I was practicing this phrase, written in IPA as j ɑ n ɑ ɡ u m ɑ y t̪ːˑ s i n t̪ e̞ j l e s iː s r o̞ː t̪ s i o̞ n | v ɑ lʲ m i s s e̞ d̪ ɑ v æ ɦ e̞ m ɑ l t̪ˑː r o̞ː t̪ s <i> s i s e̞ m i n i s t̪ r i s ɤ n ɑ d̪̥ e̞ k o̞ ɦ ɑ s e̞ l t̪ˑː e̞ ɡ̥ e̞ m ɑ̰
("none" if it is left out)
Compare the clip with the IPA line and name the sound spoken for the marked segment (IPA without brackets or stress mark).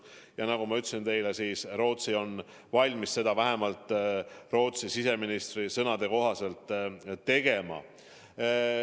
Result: i